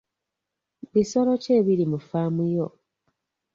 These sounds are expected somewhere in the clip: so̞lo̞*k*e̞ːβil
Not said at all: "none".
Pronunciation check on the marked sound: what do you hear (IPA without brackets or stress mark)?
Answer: c